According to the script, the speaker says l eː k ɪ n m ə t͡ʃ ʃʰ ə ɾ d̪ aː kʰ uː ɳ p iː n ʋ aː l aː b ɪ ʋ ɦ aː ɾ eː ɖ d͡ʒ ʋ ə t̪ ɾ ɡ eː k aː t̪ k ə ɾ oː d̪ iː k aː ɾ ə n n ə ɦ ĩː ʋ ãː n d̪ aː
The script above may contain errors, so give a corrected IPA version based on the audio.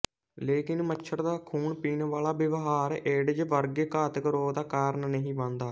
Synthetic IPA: l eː k ɪ n m ə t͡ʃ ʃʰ ə ɾ d̪ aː kʰ uː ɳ p iː n ʋ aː l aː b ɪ ʋ ɦ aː ɾ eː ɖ d͡ʒ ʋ ə ɾ ɡ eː k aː t̪ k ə ɾ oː d̪ aː k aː ɾ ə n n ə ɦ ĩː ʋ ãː n d̪ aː